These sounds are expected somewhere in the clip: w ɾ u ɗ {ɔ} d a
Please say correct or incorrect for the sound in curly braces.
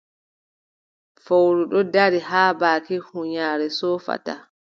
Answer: correct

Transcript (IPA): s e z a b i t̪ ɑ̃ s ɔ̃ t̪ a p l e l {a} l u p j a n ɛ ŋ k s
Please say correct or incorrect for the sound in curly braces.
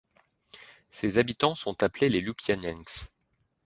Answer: incorrect: e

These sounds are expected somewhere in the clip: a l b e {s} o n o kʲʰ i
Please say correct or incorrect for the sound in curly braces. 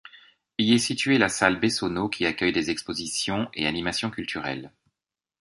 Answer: correct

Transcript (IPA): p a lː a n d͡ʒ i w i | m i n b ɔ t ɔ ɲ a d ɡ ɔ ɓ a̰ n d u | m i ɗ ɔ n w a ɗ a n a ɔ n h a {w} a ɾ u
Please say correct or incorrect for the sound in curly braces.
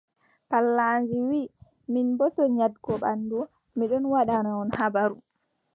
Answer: incorrect: b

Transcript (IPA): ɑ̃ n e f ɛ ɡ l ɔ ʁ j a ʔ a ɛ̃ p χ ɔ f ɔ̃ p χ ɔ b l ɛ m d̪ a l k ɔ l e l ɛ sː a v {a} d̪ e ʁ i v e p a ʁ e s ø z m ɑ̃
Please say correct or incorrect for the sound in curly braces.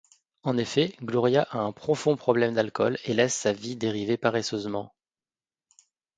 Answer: incorrect: i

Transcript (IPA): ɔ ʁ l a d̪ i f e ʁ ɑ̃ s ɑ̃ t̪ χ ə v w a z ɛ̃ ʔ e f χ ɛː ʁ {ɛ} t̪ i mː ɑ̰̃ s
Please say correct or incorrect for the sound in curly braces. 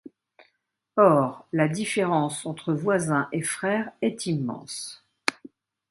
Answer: correct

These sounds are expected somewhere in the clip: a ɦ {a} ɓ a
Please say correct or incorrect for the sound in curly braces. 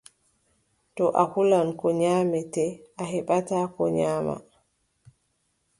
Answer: incorrect: ɛ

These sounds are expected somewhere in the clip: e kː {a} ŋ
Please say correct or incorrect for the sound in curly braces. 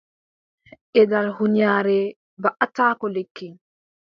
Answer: incorrect: i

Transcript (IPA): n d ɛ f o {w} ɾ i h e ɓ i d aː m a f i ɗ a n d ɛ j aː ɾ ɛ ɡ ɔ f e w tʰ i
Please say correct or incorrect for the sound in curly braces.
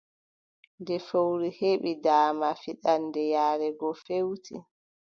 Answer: correct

